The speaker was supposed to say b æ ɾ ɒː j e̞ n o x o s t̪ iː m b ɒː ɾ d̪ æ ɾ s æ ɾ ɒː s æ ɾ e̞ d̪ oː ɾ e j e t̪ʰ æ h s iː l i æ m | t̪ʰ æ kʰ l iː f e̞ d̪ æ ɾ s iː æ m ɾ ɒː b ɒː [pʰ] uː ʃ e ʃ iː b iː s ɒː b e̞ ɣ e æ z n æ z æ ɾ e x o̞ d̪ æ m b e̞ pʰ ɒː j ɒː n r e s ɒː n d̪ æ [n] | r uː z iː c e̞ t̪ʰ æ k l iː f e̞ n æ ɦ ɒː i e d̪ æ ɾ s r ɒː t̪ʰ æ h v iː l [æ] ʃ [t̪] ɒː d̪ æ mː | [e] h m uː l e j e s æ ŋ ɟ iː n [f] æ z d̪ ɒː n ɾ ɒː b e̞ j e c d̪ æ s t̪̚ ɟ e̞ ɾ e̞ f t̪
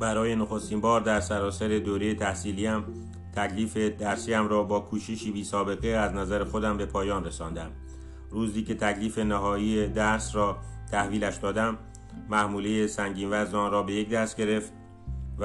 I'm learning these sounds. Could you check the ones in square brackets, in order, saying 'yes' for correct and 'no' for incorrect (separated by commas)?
no, no, yes, no, no, no